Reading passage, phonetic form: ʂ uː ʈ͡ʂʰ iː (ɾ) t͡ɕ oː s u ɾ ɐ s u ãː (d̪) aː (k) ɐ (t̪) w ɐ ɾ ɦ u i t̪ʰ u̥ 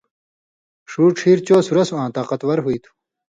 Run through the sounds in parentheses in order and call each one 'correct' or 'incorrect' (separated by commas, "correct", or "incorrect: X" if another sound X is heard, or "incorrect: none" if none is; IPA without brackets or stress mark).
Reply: correct, incorrect: t̪, incorrect: q, correct